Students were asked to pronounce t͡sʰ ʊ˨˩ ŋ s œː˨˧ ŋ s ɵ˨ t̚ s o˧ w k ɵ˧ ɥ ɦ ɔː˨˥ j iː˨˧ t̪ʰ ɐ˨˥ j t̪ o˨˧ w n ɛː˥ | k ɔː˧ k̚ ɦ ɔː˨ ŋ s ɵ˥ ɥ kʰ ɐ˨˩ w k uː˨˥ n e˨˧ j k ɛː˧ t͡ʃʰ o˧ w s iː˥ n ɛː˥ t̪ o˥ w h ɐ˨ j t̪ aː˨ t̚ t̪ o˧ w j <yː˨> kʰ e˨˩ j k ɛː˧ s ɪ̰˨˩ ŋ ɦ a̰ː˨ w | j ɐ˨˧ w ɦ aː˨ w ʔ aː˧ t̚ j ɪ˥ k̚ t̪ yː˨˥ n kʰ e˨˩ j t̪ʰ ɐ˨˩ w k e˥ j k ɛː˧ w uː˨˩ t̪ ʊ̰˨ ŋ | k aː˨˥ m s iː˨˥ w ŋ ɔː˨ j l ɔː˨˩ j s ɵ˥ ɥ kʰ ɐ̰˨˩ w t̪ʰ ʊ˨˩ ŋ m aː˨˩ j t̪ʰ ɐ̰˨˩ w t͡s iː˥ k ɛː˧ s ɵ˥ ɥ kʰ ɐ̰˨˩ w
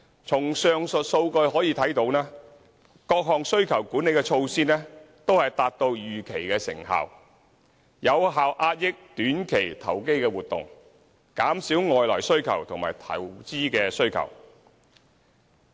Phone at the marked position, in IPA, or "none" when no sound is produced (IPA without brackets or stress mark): yː˨